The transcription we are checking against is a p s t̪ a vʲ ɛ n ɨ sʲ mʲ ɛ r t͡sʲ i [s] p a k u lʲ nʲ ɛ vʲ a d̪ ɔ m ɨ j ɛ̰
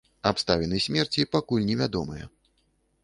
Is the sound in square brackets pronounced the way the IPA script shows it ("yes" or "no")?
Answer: no